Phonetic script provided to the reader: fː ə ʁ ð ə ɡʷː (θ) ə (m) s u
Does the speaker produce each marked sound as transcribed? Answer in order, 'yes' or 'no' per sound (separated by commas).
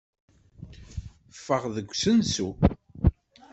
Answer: no, no